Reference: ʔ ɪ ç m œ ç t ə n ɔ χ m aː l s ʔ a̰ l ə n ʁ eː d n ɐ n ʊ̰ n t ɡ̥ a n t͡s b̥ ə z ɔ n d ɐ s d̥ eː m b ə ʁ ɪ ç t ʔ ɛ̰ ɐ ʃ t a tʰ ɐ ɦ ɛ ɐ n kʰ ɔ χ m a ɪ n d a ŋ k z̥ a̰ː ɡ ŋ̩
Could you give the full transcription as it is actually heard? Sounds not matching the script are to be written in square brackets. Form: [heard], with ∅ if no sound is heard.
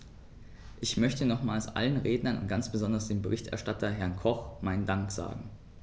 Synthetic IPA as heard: ʔ ɪ ç m œ ç t ə n ɔ χ m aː l s ʔ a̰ l ə n ʁ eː d n ɐ n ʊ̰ n t ɡ̥ a n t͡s b̥ ə z ɔ n d ɐ s d̥ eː m b ə ʁ ɪ ç t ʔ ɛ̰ ɐ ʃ t a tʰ ɐ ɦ ɛ ɐ n kʰ ɔ χ m a ɪ n d a ŋ k z̥ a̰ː ɡ ŋ̩